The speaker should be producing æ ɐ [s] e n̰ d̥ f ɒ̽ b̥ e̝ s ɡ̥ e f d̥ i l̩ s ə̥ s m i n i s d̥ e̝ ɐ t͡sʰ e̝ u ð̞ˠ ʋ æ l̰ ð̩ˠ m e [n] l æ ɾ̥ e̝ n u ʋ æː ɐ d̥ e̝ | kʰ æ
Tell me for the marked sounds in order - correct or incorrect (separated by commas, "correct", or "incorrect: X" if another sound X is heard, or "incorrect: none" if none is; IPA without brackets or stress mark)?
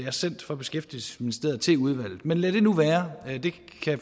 correct, correct